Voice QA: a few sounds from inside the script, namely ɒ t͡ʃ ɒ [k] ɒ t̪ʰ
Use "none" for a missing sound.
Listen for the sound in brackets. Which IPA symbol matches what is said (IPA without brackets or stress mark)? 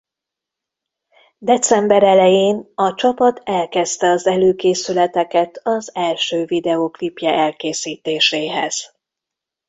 p